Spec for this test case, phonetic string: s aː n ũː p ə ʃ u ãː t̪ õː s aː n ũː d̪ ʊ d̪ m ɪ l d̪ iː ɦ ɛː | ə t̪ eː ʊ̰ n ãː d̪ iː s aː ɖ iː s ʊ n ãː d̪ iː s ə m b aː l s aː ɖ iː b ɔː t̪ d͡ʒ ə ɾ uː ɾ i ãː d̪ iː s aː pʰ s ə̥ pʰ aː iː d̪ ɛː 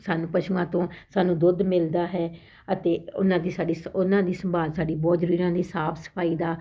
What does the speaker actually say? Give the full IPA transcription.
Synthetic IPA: s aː n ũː p ə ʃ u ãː t̪ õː s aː n ũː d̪ ʊ d̪ m ɪ l d̪ aː ɦ ɛː | ə t̪ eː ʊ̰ n ãː d̪ iː s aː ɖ iː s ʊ n ãː d̪ iː s ə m b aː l s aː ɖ iː b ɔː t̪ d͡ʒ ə ɾ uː ɾ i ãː d̪ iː s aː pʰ s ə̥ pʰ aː iː d̪ aː